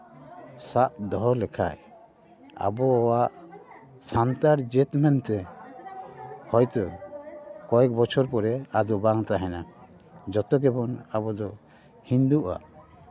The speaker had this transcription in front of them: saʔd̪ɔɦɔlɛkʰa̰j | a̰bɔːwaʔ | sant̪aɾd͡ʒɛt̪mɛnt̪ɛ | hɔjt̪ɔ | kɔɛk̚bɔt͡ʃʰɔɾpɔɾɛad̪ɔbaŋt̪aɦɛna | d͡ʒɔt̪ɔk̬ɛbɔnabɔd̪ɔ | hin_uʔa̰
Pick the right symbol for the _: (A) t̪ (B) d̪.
B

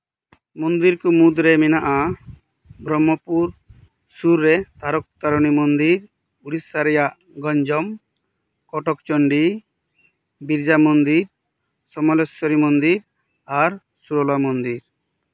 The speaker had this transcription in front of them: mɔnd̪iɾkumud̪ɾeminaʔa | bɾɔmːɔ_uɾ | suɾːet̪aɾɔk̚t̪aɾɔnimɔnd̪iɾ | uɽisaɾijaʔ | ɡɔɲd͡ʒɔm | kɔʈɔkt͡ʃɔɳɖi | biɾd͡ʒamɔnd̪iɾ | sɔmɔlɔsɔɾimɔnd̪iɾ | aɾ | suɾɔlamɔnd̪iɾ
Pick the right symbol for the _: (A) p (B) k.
A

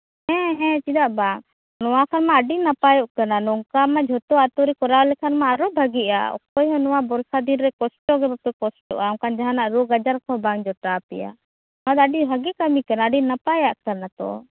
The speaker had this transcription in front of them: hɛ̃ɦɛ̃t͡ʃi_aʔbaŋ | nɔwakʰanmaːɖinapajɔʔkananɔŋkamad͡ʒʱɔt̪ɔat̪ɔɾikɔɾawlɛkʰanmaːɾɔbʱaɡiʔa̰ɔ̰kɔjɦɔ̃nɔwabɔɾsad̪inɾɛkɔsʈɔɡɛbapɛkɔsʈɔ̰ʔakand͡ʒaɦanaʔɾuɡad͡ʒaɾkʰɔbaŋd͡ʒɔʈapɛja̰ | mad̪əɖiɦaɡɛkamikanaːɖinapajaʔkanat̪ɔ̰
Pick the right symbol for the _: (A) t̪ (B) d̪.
B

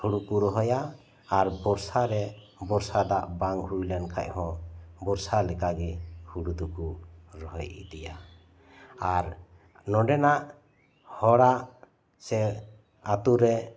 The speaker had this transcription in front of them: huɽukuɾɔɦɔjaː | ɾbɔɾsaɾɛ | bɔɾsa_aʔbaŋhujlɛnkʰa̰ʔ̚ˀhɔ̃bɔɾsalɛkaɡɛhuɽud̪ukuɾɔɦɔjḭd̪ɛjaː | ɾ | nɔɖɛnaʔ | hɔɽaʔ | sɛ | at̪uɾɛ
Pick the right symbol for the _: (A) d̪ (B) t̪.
A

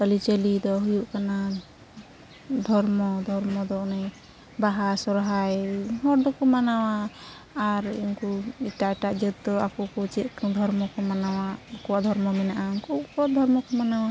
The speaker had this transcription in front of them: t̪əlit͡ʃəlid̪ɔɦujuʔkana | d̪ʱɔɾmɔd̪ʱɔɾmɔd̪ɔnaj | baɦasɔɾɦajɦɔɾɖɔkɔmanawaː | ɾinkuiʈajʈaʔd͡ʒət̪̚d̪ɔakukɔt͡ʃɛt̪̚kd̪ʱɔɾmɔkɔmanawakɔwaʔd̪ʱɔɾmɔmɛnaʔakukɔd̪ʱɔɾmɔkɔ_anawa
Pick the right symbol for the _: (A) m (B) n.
A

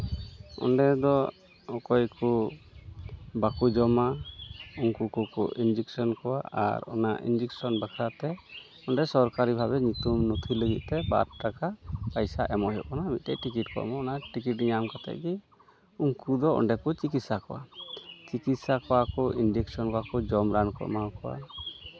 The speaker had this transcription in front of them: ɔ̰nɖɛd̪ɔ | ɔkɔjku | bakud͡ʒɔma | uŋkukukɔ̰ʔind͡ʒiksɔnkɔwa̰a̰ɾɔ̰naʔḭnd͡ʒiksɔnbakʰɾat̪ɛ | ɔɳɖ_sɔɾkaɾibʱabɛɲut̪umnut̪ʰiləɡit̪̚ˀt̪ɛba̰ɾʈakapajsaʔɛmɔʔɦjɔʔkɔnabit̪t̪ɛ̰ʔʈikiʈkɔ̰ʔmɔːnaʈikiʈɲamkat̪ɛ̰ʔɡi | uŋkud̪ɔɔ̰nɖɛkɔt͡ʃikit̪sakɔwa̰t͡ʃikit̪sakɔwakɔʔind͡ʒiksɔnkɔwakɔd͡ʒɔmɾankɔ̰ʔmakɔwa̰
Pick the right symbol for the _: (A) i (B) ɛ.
B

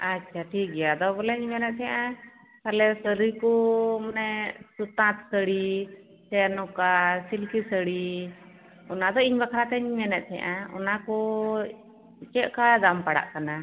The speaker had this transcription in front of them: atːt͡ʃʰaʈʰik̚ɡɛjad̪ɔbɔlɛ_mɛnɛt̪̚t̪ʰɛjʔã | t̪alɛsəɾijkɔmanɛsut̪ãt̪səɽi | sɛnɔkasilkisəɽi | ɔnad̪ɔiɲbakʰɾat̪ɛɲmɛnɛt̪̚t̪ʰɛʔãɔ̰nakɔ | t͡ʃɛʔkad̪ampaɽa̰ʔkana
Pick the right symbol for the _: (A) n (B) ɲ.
B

